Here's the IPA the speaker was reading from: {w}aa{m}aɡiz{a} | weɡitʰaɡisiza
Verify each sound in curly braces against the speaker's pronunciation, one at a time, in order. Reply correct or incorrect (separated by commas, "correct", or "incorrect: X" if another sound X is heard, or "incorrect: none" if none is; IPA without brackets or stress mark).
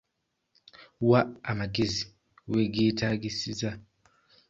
correct, correct, incorrect: i